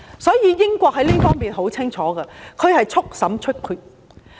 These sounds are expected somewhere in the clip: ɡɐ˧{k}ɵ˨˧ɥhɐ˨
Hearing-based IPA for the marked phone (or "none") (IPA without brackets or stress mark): kʰ